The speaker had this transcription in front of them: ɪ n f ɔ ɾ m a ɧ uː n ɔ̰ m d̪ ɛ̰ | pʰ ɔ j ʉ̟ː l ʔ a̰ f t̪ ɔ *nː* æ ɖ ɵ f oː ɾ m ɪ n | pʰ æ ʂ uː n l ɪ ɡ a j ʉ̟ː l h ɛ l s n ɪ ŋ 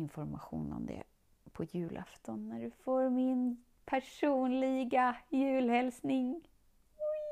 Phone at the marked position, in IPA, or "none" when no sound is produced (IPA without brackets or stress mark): nː